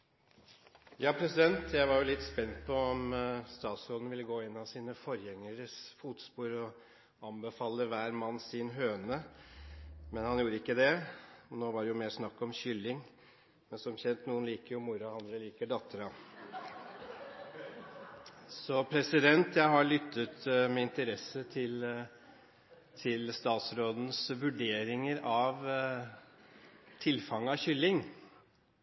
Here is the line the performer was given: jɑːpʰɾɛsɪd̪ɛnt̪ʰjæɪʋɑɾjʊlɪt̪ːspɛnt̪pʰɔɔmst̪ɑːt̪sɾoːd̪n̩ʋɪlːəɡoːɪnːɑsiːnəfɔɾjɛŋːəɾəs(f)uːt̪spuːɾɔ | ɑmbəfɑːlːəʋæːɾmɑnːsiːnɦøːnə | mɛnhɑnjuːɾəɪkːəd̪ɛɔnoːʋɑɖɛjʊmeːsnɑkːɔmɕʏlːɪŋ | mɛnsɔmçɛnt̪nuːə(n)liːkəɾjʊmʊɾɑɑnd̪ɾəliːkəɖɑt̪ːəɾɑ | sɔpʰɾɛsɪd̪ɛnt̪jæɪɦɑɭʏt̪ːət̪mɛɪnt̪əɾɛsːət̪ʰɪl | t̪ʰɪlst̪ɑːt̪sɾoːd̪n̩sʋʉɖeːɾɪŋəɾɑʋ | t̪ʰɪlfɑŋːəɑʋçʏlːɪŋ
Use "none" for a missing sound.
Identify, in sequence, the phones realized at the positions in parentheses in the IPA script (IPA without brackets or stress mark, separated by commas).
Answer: f, n